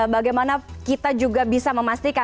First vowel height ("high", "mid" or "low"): low